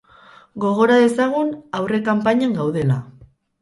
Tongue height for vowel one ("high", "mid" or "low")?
mid